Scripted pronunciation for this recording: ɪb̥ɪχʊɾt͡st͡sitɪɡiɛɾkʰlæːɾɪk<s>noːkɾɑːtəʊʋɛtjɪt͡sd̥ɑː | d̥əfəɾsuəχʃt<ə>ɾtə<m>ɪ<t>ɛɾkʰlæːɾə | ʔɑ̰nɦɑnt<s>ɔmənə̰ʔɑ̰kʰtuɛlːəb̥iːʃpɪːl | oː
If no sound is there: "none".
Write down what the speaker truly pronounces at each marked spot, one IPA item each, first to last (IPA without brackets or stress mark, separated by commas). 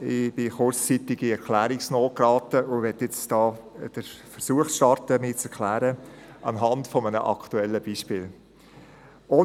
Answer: s, ɑ, m, t͡s, f